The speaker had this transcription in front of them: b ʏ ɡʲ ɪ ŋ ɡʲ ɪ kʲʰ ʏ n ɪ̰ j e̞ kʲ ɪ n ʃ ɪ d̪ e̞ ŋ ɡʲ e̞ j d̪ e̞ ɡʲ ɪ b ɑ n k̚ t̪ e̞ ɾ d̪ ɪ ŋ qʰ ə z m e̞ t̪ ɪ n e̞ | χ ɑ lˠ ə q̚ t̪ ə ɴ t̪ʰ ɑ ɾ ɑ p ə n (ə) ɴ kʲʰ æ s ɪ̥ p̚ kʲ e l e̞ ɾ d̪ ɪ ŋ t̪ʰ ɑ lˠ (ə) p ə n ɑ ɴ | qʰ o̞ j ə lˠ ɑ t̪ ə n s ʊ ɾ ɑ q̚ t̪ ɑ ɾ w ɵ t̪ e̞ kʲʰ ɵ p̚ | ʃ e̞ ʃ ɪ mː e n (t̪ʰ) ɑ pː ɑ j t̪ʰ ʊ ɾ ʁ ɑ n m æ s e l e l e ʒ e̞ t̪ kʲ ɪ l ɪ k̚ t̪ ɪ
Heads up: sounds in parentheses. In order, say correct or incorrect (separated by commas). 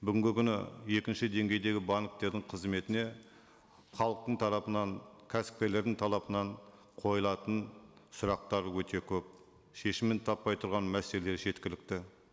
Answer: incorrect, incorrect, correct